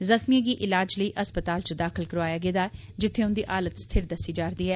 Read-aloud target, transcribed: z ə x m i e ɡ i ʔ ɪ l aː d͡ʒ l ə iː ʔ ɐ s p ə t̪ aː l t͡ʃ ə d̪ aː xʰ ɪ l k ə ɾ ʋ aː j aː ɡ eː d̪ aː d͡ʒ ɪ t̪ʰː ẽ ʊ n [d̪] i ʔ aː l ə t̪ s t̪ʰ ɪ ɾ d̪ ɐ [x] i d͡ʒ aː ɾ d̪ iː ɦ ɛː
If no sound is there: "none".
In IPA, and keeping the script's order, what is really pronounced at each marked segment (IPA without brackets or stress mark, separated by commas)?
d̪, s